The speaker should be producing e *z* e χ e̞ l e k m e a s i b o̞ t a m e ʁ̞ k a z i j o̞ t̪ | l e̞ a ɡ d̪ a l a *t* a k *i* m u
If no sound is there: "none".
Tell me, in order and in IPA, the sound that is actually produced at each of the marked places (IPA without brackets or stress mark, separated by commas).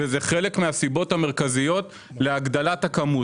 z, t, a